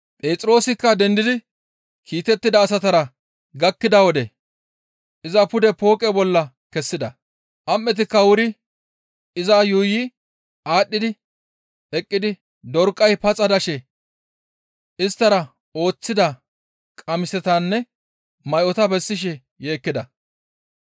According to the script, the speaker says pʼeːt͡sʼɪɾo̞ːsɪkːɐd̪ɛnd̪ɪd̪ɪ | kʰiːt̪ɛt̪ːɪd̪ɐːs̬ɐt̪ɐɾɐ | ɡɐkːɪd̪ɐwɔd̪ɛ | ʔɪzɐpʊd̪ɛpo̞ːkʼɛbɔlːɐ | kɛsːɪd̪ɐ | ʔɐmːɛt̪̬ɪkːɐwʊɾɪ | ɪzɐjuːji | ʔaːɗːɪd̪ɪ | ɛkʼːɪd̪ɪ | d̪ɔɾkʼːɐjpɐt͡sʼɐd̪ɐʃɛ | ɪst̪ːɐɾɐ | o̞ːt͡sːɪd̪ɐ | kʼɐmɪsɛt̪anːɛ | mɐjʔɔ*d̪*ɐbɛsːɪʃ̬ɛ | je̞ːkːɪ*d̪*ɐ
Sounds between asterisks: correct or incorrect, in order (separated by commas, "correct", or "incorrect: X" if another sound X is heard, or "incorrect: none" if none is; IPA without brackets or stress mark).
incorrect: t̪, correct